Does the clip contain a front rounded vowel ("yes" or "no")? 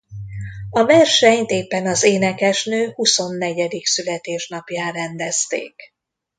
yes